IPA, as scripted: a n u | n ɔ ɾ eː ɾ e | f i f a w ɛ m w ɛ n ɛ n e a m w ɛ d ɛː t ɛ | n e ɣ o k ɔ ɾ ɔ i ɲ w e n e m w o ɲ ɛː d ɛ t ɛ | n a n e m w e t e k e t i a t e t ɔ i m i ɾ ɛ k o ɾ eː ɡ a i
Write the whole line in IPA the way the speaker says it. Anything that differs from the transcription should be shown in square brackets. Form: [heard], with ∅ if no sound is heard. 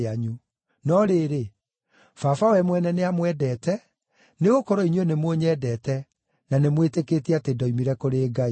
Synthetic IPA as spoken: a [ɲ] u | n ɔ ɾ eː ɾ e | f [a] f a w ɛ m w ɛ n ɛ n e a m w ɛ d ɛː t ɛ | n e ɣ o k ɔ ɾ ɔ i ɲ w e n e m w o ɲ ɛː d ɛ t ɛ | n a n e m w e t e k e t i a t e [d] ɔ i m i ɾ ɛ k o ɾ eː ɡ a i